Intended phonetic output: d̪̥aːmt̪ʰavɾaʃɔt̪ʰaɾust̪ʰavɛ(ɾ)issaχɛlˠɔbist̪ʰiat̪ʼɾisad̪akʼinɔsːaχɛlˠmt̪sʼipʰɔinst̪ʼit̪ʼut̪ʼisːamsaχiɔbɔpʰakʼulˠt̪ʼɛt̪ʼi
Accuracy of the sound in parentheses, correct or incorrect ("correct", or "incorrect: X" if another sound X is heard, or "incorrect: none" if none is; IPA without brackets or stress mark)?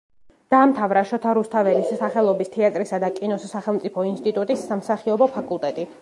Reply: incorrect: l